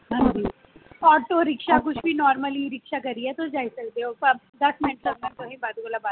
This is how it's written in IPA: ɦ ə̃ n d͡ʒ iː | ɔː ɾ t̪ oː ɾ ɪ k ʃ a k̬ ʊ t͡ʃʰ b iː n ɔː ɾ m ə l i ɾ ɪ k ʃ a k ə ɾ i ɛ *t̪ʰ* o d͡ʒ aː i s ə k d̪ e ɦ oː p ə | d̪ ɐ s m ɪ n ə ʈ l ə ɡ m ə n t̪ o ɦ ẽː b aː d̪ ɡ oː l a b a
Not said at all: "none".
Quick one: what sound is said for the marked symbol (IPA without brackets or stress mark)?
t̪